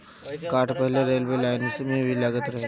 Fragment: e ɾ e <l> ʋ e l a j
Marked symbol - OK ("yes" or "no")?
yes